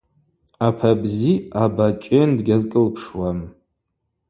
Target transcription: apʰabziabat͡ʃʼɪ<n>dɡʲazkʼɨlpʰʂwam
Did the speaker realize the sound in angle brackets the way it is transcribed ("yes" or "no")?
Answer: yes